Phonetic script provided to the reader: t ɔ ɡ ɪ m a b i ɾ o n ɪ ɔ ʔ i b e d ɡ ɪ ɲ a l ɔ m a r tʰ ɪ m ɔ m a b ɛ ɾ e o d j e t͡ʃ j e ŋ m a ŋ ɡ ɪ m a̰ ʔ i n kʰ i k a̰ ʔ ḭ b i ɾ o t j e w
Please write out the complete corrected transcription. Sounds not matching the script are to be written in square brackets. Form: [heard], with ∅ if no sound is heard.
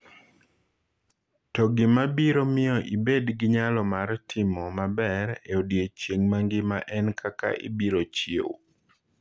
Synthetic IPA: t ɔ ɡ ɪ m a b i ɾ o [m] ɪ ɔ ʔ i b e d ɡ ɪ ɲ a l ɔ m a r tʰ ɪ m ɔ m a b ɛ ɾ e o d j e t͡ʃ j e ŋ m a ŋ ɡ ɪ m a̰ ʔ [ɛ] n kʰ [a] k a̰ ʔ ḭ b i ɾ o [t͡ʃ] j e w